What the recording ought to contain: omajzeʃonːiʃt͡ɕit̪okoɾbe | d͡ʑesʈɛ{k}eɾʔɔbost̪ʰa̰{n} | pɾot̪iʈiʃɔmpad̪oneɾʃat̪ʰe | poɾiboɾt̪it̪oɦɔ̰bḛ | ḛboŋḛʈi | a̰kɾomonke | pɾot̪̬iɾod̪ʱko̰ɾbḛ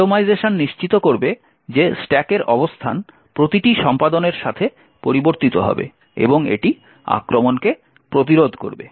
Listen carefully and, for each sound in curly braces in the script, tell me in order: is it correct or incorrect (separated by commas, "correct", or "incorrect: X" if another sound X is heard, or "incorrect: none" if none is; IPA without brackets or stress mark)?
correct, correct